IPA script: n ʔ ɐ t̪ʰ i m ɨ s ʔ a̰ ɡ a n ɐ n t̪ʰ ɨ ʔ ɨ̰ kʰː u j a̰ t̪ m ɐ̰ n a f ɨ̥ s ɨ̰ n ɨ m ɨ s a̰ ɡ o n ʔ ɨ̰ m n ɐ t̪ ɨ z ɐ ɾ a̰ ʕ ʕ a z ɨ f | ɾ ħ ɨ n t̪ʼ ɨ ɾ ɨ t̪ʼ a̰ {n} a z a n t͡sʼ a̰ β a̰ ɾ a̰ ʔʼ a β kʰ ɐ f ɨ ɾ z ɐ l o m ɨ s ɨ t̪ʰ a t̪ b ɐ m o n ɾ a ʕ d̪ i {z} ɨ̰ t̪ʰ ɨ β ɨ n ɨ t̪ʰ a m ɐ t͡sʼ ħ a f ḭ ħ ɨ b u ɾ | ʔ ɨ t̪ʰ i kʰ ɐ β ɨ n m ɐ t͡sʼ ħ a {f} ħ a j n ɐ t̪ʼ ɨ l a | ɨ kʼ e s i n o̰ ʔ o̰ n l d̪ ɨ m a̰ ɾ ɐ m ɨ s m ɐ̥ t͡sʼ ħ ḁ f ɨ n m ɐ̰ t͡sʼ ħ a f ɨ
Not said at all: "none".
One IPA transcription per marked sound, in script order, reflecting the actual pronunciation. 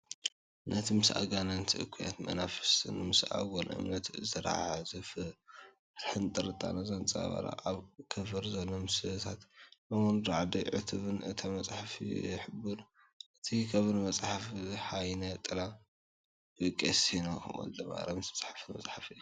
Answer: n, ʕ, f

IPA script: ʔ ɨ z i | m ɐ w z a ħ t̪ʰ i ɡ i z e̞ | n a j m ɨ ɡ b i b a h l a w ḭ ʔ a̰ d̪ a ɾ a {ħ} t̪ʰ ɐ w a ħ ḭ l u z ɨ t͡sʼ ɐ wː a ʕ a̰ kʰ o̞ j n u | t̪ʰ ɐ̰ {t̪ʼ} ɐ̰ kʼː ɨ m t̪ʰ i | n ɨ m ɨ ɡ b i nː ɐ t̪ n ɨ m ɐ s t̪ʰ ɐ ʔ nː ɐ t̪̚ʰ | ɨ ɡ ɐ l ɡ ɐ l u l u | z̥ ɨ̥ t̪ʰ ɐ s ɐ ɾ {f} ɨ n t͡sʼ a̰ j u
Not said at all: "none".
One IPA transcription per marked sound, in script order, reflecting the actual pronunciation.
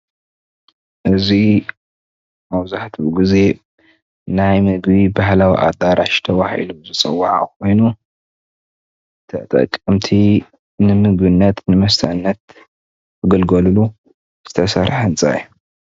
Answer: ʃ, t̪ʼ, ħ

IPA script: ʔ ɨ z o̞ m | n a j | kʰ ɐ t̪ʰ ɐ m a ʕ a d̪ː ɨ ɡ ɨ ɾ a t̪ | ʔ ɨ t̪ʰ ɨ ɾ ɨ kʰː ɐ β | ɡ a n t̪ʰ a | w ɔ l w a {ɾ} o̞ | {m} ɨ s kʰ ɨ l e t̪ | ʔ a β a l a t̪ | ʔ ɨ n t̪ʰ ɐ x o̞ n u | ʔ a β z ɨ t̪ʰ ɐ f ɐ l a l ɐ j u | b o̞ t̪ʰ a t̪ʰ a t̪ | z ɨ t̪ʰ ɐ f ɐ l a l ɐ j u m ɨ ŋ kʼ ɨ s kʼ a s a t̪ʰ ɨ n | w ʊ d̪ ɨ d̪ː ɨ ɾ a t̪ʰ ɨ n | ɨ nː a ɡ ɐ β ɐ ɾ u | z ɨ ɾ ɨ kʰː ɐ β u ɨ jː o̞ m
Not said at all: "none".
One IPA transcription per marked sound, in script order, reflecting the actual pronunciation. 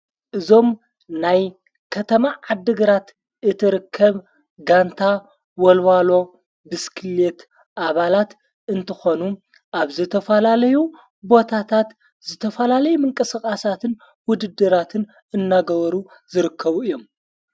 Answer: l, b

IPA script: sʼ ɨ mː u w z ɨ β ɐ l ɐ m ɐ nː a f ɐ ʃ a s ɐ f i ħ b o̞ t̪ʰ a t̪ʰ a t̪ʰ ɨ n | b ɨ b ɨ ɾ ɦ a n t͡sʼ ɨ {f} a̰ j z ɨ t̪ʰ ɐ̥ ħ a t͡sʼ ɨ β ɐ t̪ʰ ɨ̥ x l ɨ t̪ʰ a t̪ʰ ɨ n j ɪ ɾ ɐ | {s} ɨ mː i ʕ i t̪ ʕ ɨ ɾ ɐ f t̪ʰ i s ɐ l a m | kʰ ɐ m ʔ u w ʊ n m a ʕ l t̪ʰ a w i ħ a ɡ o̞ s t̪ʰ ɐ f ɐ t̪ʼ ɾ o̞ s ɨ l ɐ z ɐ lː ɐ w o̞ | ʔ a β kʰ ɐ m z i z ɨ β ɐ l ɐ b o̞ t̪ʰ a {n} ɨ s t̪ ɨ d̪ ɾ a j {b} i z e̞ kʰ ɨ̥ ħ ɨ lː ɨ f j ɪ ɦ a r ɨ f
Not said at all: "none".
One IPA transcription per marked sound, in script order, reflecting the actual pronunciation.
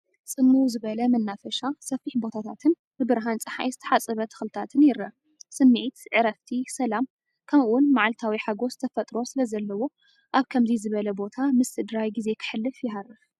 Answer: ħ, s, m, ɡ

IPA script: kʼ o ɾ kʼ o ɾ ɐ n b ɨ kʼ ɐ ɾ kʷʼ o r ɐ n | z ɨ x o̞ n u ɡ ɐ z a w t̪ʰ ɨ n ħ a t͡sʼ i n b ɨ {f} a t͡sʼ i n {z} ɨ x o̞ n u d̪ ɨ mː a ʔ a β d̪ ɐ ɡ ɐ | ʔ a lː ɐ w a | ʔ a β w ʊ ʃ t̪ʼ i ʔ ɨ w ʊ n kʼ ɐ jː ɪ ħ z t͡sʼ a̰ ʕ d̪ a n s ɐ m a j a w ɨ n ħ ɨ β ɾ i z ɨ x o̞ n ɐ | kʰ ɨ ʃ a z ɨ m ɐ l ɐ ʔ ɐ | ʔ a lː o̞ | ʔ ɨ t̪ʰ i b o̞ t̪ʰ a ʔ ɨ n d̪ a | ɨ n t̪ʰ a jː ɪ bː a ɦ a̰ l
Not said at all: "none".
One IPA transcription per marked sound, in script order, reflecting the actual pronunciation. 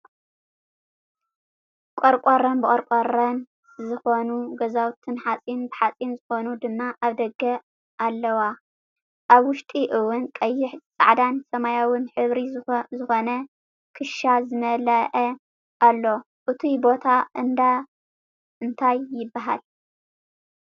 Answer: ħ, z

